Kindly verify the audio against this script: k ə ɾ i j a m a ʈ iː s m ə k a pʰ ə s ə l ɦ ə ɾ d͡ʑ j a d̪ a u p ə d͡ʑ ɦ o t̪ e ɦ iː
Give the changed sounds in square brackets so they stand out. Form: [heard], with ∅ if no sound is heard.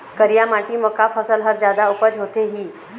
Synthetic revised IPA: k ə ɾ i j a m a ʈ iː [∅] m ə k a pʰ ə s ə l ɦ ə ɾ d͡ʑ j a d̪ a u p ə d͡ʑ ɦ o t̪ e ɦ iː